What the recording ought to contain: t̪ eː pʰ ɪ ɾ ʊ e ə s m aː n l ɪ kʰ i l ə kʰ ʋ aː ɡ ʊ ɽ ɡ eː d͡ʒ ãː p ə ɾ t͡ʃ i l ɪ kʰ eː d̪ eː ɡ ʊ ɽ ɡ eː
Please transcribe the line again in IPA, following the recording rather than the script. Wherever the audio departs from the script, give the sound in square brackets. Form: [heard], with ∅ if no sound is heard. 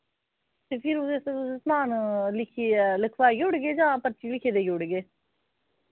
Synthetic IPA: t̪ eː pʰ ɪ ɾ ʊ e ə s m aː n l ɪ kʰ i l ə kʰ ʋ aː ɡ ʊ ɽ ɡ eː d͡ʒ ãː p ə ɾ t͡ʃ i l ɪ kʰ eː d̪ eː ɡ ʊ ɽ ɡ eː